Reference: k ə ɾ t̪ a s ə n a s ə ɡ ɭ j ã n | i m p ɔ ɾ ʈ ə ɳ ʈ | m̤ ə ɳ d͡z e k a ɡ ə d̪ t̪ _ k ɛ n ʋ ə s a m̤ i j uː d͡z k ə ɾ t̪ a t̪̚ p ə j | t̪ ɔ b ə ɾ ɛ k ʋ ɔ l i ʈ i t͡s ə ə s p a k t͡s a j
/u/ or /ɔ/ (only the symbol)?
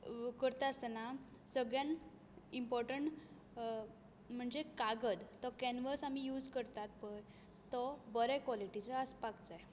ɔ